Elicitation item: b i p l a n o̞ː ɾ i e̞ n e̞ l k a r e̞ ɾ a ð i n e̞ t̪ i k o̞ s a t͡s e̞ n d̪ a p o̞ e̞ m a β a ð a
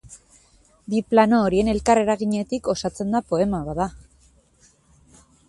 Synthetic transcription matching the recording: b i p l a n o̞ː ɾ i e̞ n e̞ l k a r e̞ ɾ a ɣ i ɲ e̞ t̪ i k o̞ s a t͡s e̞ n d̪ a p o̞ e̞ m a β a ð a